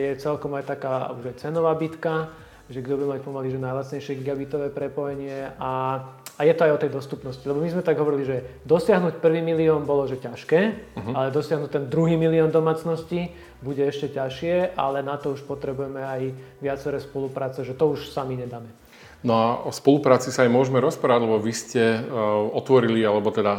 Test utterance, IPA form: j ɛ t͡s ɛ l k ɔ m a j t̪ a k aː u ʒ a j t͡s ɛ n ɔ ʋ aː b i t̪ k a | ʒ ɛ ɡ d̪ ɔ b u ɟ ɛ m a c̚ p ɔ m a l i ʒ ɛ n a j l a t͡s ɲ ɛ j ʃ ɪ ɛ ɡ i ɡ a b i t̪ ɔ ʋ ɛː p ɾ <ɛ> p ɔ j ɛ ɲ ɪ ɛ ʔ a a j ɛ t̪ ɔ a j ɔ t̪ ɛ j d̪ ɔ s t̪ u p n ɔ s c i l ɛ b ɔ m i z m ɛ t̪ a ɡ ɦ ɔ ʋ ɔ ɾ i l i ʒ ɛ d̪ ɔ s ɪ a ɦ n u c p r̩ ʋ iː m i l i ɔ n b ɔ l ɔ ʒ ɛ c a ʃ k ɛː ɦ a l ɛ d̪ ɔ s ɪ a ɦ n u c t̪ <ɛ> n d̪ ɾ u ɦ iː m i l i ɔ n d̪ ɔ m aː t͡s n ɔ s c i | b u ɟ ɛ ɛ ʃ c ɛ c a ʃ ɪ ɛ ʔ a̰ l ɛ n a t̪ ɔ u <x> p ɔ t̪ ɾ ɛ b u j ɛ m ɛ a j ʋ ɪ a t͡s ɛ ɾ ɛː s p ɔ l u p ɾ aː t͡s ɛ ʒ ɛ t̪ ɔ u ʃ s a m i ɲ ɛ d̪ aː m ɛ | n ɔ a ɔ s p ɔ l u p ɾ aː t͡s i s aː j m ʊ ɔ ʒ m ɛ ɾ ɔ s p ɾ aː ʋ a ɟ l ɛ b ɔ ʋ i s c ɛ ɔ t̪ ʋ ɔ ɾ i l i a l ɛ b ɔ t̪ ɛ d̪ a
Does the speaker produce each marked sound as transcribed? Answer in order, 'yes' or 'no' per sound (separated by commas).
yes, yes, no